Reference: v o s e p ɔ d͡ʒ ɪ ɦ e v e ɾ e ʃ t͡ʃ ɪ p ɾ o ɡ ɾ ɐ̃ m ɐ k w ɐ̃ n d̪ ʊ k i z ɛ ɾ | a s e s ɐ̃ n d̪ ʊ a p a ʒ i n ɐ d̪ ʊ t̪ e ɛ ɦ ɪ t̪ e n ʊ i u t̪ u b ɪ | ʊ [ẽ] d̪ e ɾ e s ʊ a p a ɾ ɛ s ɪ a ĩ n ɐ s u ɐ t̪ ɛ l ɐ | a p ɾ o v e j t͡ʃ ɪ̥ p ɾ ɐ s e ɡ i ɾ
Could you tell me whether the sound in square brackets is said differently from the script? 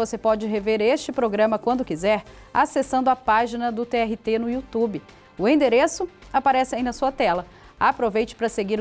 no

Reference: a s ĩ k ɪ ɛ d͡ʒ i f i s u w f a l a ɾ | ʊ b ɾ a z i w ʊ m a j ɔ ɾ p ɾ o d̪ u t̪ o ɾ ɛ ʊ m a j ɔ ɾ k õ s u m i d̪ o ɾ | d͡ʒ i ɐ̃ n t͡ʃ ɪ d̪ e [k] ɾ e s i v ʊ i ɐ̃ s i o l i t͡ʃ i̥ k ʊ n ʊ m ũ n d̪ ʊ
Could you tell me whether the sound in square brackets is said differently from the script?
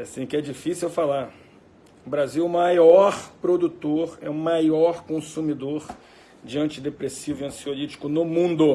yes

